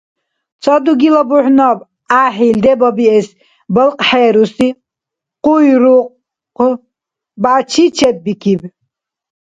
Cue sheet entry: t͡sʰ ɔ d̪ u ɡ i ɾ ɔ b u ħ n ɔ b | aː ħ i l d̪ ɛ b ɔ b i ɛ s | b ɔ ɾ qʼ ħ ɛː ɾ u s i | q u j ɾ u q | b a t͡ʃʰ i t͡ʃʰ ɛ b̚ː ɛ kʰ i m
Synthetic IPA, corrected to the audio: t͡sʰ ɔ d̪ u ɡ i l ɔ b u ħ n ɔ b | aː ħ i l d̪ ɛ b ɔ b i ɛ s | b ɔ l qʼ ħ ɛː ɾ u s i | q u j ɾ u q | b a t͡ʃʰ i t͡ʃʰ ɛ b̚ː i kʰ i b